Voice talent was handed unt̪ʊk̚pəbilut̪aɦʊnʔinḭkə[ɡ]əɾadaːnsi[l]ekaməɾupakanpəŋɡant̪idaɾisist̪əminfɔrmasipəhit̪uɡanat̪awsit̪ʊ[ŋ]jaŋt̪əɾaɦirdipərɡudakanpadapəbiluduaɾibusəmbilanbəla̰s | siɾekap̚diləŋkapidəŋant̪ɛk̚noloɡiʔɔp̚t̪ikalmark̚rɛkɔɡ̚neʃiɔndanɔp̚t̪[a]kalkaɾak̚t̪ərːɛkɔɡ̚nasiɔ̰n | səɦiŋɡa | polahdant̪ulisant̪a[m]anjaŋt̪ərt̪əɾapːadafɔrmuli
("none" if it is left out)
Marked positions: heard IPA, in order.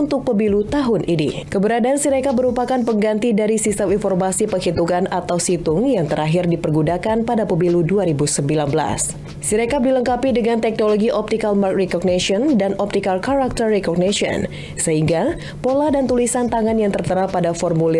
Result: b, ɾ, ŋ, i, ŋ

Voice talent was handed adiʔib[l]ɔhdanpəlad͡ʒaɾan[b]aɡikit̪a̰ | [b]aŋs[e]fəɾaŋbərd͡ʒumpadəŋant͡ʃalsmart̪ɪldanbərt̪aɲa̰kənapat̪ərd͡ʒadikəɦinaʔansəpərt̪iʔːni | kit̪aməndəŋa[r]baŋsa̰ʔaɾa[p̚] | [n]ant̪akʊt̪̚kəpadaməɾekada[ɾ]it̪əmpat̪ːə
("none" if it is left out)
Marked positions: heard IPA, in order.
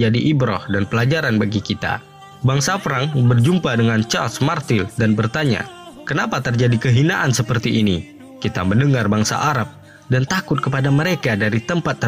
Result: ɾ, b, b, a, r, p̚, d, ɾ

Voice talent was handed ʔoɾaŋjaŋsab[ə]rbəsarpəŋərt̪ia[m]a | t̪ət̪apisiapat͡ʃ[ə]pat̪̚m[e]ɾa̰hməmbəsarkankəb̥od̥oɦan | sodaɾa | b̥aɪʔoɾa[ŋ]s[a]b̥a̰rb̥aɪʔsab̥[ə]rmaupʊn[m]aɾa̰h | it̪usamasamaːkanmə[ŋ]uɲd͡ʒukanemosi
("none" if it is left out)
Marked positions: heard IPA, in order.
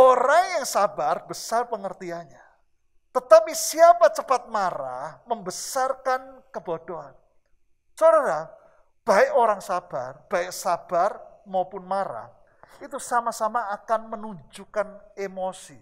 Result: a, ɲ, ə, a, ŋ, a, a, m, n

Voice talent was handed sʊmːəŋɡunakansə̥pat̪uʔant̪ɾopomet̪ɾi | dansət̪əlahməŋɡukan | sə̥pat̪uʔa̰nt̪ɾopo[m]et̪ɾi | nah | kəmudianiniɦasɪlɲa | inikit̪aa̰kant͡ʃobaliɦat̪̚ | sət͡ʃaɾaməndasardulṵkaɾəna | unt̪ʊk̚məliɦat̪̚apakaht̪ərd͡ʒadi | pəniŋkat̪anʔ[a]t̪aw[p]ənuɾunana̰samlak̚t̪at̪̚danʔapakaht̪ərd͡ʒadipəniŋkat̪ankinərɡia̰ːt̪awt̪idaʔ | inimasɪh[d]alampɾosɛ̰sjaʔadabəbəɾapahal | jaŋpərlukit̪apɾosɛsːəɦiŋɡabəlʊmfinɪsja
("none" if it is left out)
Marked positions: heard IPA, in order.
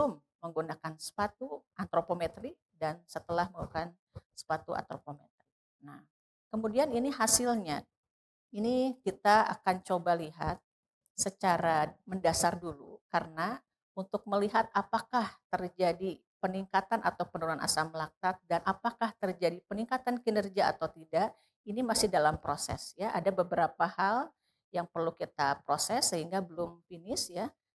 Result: m, a, p, d

